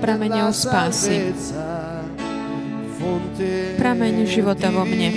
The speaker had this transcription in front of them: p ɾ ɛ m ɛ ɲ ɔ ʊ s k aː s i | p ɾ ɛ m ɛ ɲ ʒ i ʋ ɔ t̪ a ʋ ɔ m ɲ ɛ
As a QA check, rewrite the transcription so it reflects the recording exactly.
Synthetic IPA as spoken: p ɾ a m ɛ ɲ ɔ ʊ s p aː s i | p ɾ a m ɛ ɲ ʒ i ʋ ɔ t̪ a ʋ ɔ m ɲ ɛ